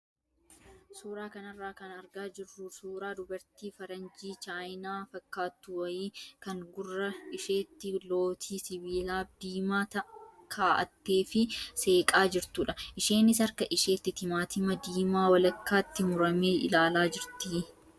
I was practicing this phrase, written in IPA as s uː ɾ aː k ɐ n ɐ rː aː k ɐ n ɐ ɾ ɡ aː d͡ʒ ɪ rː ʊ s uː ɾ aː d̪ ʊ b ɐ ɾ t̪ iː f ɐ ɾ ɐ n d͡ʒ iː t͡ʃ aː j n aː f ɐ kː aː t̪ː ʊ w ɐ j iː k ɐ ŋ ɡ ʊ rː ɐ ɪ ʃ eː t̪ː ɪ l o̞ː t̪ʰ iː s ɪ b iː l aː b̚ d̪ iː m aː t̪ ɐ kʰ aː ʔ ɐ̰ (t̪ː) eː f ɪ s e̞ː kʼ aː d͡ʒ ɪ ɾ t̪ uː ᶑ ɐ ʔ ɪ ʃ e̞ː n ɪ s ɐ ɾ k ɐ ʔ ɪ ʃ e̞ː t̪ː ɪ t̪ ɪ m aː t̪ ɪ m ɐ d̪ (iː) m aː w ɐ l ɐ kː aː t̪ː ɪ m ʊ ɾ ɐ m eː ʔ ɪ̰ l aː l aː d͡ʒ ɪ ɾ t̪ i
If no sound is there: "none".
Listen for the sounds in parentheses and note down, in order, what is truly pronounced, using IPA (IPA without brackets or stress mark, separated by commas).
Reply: t̪ː, iː